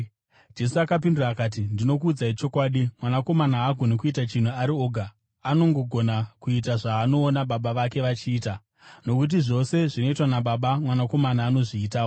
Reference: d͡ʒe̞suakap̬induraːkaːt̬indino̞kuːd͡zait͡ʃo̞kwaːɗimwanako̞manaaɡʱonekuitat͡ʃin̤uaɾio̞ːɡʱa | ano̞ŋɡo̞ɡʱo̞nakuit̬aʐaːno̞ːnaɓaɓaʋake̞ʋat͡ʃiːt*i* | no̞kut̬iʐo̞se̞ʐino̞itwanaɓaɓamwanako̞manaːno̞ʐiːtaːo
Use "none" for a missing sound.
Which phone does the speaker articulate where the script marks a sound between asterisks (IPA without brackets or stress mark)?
a